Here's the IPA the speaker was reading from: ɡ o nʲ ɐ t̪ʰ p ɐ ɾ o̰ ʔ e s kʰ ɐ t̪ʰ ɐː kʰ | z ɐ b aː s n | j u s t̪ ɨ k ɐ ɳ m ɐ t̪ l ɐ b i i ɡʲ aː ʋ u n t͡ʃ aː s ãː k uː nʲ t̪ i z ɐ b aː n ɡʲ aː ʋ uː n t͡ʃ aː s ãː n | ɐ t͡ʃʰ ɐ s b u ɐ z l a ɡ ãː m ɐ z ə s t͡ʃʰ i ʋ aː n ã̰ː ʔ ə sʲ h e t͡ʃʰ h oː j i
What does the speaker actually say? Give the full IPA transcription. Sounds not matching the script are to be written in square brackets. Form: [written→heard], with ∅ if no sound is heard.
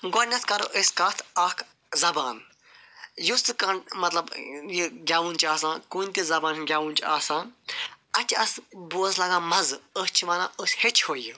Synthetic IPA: ɡ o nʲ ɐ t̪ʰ [p→k] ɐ ɾ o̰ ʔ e s [kʰ→k] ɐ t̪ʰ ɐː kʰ | z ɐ b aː [s→∅] n | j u s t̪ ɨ k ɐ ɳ m ɐ t̪ l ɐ b [i→j] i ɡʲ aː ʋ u n t͡ʃ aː s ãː k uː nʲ t̪ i z ɐ b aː n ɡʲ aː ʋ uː n t͡ʃ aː s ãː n | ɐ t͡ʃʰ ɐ s b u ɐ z l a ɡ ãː m ɐ z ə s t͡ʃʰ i ʋ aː n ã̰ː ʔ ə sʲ h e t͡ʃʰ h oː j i